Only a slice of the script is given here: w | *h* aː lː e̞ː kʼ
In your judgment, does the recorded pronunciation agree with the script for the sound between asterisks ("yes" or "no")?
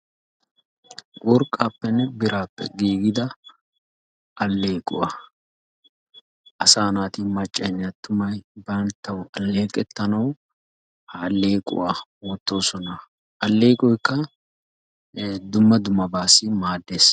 yes